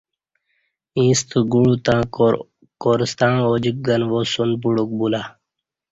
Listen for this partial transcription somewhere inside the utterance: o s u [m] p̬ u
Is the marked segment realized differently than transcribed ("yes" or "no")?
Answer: yes